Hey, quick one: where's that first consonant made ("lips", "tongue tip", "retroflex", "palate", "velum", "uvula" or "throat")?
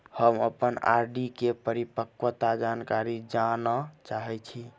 throat